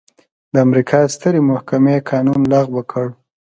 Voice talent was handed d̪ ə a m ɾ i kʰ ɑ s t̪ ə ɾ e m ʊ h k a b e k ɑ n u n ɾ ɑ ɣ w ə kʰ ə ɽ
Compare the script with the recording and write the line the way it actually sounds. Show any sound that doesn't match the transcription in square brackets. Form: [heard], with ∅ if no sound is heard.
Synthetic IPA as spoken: d̪ ə a m ɾ i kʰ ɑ s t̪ ə ɾ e m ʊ h k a [m] e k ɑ n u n [l] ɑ ɣ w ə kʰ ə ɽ

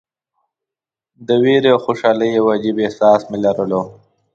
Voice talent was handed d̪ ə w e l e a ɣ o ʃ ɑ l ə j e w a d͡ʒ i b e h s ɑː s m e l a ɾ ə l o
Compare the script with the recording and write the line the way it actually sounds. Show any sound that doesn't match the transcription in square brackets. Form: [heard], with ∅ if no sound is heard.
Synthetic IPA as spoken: d̪ ə w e [ɾ] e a [x] o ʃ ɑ l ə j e w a d͡ʒ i b e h s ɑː s m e l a ɾ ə l o

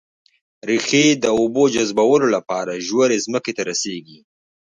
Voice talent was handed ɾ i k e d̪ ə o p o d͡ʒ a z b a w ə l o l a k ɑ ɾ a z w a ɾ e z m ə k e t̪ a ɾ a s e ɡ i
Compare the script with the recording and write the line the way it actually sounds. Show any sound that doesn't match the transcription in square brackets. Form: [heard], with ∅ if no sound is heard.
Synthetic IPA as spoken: ɾ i [x] e d̪ ə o [b] o d͡ʒ a z b a w ə l o l a [p] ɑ ɾ a [ʒ] w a ɾ e z m ə k e t̪ a ɾ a s e ɡ i

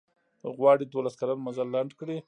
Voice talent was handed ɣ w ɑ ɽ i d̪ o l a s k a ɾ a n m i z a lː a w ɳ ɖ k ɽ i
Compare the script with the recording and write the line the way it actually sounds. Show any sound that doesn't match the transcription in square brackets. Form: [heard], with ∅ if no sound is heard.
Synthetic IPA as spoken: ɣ w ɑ ɽ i d̪ o l a s k a [l] a n m [a] z a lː a [∅] ɳ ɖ k ɽ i

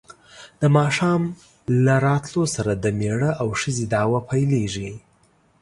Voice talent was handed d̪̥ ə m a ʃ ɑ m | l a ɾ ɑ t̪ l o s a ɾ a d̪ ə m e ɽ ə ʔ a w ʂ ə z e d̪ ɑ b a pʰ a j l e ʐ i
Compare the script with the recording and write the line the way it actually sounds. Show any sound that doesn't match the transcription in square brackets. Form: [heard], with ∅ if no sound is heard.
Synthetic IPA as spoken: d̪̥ ə m [ɑ] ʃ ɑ m | l a ɾ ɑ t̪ l o s a ɾ a d̪ ə m e ɽ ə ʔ a w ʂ ə z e d̪ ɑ [w] a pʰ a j l e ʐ i

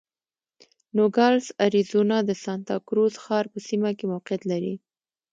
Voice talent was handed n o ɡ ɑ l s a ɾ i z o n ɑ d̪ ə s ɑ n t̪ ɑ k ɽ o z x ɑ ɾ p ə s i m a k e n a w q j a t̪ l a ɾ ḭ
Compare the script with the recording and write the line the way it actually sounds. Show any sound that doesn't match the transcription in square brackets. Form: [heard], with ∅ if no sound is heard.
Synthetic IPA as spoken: n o ɡ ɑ l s a ɾ i z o n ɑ d̪ ə s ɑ n t̪ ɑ k [ɾ] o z x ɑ ɾ p ə s i m a k e [m] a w q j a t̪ l a ɾ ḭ

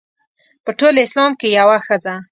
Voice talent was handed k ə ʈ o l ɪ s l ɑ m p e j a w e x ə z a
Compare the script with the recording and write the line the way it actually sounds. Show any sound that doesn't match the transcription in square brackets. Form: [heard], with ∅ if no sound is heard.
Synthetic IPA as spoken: [p] ə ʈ o l ɪ s l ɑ m [k] e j a w [a] x ə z a

